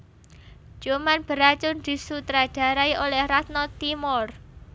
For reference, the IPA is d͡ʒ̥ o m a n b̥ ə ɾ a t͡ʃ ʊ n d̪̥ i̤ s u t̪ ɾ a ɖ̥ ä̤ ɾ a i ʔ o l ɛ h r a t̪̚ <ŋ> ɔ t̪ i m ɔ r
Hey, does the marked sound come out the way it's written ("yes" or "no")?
no